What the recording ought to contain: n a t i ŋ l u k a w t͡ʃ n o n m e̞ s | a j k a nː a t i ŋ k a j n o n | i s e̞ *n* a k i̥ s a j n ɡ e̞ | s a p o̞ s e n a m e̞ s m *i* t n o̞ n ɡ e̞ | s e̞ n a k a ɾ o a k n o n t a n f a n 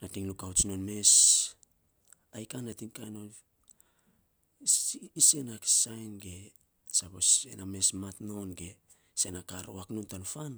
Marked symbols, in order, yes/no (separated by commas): yes, no